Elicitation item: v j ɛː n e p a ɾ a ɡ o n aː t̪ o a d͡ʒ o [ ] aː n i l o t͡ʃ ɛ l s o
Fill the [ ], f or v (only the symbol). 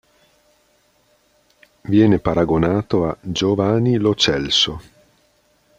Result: v